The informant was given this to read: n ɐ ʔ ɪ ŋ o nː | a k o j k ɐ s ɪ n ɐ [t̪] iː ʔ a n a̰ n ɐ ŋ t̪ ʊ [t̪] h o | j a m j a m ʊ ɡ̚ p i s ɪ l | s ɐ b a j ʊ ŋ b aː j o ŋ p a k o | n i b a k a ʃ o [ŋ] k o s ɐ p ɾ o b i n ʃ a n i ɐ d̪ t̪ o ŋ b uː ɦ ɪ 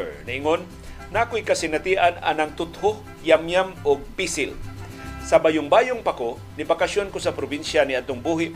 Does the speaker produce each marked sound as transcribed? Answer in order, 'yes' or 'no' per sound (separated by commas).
yes, yes, no